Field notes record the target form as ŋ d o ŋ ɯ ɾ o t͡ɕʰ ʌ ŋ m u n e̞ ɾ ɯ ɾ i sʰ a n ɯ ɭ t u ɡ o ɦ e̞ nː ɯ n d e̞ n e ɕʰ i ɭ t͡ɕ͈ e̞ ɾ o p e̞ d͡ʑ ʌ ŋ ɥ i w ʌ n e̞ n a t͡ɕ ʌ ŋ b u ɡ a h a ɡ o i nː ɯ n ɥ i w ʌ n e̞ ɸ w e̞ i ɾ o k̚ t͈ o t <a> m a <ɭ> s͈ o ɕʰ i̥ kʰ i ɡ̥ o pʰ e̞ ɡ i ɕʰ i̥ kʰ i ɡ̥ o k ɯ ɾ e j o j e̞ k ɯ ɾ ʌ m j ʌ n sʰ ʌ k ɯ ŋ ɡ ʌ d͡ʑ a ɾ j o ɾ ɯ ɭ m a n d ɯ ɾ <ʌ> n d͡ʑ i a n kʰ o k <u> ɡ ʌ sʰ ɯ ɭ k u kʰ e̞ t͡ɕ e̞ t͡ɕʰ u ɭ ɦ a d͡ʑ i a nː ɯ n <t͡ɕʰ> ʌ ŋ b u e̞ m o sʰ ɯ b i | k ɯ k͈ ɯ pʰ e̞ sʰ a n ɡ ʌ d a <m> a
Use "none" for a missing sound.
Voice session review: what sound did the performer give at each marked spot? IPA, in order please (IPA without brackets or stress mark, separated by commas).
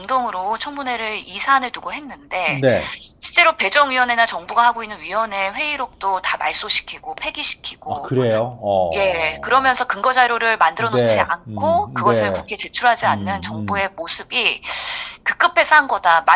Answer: a, ɭ, ʌ, ɯ, t͡ɕ, m